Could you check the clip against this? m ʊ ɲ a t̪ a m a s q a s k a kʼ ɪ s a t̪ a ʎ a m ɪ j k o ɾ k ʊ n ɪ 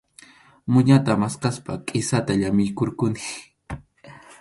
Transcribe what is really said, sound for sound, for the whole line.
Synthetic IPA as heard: m ʊ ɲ a t̪ a m a s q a s p a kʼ ɪ s a t̪ a ʎ a m ɪ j k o ɾ k ʊ n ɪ